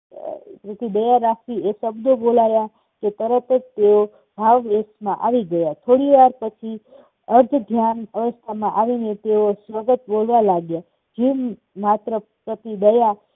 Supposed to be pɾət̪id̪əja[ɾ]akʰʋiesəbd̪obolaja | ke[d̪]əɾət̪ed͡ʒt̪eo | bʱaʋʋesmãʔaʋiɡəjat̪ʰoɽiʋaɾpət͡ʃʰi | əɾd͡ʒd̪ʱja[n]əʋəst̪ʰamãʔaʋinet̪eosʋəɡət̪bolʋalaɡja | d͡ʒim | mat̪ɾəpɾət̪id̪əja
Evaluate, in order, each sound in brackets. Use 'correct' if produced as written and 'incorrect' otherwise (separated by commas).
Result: correct, incorrect, correct